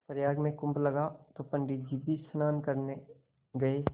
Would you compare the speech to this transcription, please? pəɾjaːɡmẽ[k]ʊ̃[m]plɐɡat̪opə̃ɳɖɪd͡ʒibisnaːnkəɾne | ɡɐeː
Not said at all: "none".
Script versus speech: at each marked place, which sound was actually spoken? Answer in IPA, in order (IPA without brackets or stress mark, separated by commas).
k, m